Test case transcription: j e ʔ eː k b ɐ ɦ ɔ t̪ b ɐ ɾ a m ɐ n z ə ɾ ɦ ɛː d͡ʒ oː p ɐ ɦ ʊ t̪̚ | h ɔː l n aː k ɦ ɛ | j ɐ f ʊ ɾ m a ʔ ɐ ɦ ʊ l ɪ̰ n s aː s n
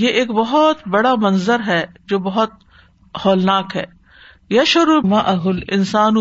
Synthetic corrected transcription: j e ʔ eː k b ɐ ɦ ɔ t̪ b ɐ ɽ a m ɐ n z ə ɾ ɦ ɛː d͡ʒ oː b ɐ ɦ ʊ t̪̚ | h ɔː l n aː k ɦ ɛː | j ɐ ʃ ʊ ɾ m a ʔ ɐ ɦ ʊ l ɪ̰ n s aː n